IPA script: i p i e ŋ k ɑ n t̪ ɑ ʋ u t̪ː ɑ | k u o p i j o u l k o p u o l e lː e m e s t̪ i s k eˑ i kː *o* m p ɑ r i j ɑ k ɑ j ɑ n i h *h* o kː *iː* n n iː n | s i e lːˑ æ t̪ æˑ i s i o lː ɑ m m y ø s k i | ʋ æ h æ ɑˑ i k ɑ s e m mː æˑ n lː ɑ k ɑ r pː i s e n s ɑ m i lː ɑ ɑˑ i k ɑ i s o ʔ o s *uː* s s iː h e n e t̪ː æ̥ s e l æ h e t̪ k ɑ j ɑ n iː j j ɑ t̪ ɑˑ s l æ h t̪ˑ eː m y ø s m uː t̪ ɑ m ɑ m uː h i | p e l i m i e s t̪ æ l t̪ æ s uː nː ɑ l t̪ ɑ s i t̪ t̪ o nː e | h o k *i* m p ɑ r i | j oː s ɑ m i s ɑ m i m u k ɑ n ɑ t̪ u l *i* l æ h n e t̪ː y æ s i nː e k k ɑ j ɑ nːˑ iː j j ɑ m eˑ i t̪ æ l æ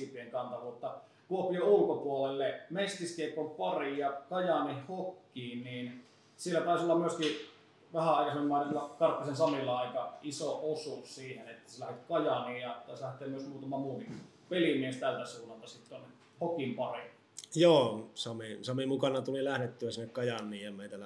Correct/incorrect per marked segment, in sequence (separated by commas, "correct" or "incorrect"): correct, correct, correct, incorrect, correct, correct